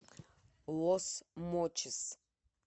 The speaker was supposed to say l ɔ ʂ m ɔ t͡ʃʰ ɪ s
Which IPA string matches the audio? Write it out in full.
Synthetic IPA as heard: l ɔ s m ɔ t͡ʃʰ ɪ s